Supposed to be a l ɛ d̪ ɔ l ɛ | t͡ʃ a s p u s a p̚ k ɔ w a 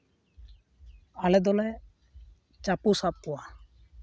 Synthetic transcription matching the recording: a l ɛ d̪ ɔ l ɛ | t͡ʃ a p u s a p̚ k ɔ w a

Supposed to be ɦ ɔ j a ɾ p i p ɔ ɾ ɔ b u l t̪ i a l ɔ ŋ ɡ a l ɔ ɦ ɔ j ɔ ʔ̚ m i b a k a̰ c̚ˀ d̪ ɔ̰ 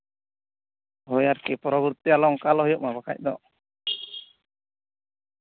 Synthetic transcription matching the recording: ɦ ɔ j a ɾ k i p ɔ ɾ ɔ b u ɾ t̪ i a l ɔ ŋ k a l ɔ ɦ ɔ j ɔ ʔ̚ m a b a k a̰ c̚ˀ d̪ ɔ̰

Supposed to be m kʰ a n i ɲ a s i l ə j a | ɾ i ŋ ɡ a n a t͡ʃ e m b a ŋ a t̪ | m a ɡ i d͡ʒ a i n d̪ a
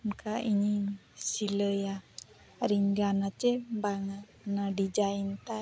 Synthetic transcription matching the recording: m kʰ a i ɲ i s i l ə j a | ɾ i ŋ ɡ a n a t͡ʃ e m b a ŋ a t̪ | n a d i d͡ʒ a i n t̪ a

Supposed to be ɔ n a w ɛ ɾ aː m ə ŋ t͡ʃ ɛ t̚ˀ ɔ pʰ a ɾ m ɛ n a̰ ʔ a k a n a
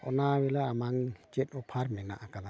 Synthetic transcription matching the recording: ɔ n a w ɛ l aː m a ŋ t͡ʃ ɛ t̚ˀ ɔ pʰ a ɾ m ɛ n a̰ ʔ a k a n a

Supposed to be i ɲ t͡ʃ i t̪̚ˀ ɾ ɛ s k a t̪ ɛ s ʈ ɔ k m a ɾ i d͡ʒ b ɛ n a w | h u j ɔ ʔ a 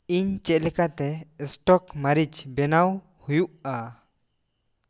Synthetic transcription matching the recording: i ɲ t͡ʃ ɛ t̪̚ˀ l ɛ k a t̪ ɛ s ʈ ɔ k m a ɾ i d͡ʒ b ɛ n a w | h u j u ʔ a

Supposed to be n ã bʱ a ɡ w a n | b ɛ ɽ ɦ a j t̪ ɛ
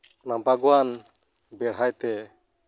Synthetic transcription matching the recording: n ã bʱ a ɡ w a n | b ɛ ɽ ɦ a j t̪ ɛ

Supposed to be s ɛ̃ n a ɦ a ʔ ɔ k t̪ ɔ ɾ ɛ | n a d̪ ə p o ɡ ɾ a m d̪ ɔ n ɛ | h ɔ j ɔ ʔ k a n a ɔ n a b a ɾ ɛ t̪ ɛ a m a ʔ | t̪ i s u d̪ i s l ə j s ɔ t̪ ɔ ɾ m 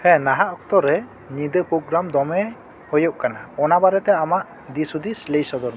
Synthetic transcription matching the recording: h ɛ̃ n a ɦ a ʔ ɔ k t̪ ɔ ɾ ɛ | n i d̪ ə p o ɡ ɾ a m d̪ ɔ m ɛ | h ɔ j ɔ ʔ k a n a ɔ n a b a ɾ ɛ t̪ ɛ a m a ʔ | d̪ i s u d̪ i s l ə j s ɔ d̪ ɔ ɾ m

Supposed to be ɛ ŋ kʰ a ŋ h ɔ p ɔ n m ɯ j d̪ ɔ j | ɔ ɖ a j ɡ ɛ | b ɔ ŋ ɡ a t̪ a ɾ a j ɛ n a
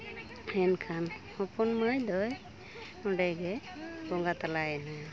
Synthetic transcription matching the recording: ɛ n kʰ a n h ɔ p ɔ n m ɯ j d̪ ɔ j | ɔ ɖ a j ɡ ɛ | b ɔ ŋ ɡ a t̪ a l a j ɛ n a

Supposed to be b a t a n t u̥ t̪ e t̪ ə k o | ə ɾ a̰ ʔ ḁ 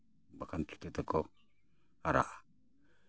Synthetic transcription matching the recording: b a k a n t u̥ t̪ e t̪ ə k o | a ɾ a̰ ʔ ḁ

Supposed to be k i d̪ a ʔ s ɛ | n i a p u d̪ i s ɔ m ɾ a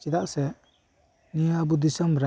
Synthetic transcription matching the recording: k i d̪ a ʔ s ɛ | n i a b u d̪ i s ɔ m ɾ a

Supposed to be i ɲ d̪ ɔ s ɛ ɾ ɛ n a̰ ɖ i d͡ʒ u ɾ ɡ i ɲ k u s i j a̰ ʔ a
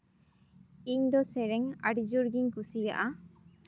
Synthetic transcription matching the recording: i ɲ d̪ ɔ s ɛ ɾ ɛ ŋ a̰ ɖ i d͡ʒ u ɾ ɡ i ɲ k u s i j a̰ ʔ a

